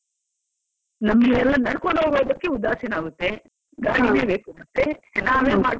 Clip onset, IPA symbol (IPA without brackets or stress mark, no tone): n